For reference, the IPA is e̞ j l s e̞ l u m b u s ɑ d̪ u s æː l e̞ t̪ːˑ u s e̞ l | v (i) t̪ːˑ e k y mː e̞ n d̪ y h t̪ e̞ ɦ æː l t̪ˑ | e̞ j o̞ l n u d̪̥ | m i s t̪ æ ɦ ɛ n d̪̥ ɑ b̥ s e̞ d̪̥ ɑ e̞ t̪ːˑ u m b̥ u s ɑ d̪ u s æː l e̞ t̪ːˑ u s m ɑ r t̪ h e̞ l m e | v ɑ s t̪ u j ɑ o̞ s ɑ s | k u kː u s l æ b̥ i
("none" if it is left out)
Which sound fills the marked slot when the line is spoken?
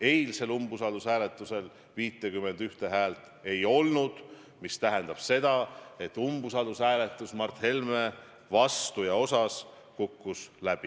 iː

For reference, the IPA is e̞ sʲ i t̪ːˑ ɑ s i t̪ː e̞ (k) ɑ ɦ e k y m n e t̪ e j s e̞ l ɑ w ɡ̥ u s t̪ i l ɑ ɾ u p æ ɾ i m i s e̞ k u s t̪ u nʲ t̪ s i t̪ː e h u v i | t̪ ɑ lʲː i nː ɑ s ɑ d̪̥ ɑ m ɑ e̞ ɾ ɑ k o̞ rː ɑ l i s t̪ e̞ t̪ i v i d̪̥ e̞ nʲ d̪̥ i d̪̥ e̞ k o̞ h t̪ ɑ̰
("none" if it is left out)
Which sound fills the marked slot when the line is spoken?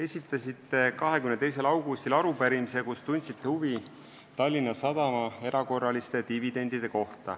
k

